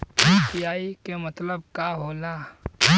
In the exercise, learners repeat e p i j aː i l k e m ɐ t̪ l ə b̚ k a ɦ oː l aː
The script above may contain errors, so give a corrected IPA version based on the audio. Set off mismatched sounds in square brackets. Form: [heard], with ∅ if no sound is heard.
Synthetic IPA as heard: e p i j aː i [∅] k e m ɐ t̪ l ə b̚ k a ɦ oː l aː